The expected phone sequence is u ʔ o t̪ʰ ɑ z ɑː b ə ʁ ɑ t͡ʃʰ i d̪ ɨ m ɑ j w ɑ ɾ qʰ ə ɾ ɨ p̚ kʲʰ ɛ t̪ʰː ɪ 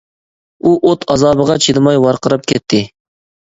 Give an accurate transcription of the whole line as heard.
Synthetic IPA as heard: u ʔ o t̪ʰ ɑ z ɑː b ə ʁ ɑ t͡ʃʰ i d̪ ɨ m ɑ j w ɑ ɾ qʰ ə ɾ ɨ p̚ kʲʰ ɛ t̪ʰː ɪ

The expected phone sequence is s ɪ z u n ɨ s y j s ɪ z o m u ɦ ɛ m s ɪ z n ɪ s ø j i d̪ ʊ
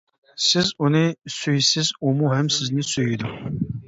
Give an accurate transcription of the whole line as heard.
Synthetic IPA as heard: s ɪ z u n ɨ s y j s ɪ z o m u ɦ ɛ m s ɪ z n ɪ s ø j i d̪ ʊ

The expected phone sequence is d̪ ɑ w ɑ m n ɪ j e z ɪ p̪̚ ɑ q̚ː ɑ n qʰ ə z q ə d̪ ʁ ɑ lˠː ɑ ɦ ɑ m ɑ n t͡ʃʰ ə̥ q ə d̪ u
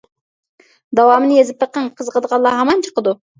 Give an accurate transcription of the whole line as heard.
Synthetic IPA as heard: d̪ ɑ w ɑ m n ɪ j e z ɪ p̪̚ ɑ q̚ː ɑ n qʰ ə z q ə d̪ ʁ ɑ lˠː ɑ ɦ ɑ m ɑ n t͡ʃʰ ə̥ q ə d̪ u

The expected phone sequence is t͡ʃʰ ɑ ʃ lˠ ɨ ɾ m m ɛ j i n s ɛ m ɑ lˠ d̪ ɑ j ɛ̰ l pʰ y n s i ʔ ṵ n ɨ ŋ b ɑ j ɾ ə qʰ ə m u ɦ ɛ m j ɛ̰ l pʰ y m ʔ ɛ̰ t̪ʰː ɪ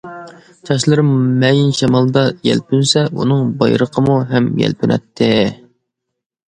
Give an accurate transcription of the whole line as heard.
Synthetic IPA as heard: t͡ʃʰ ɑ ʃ lˠ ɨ ɾ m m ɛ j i n ʃ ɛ m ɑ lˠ d̪ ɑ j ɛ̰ l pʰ y n s ɛ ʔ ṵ n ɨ ŋ b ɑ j ɾ ə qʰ ə m u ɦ ɛ m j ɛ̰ l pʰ y n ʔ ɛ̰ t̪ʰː ɪ

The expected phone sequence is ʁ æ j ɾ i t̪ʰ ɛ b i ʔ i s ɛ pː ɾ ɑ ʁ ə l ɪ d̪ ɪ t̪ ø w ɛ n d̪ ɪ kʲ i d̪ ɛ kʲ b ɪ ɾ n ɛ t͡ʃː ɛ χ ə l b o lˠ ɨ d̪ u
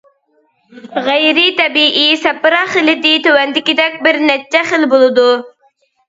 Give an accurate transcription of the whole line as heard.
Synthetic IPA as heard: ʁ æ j ɾ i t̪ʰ ɛ b i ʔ i s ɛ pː ɾ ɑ χ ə l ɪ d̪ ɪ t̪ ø w ɛ n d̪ ɪ kʲ i d̪ ɛ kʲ b ɪ ɾ n ɛ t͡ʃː ɛ χ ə l b o lˠ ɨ d̪ u

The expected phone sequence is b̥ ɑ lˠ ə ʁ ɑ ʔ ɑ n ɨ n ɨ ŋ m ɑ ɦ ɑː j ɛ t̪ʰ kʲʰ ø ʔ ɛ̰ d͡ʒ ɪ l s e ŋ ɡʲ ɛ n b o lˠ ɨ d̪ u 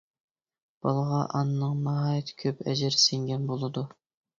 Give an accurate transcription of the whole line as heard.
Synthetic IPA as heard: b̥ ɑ lˠ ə ʁ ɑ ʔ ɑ n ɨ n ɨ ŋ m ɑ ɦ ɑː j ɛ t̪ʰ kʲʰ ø p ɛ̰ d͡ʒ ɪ ɾ s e ŋ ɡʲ ɛ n b o lˠ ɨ d̪ u

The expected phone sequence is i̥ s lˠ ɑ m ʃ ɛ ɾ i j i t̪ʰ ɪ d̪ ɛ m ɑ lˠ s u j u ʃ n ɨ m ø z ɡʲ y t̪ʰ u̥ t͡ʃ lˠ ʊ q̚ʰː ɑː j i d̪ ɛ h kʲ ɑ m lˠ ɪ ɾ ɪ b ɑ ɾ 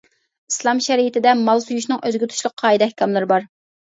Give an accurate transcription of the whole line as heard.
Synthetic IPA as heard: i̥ s lˠ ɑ m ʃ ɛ ɾ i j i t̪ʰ ɪ d̪ ɛ m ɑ lˠ s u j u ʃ n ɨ ŋ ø z ɡʲ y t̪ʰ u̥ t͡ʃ lˠ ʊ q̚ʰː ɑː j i d̪ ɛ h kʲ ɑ m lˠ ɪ ɾ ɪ b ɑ ɾ

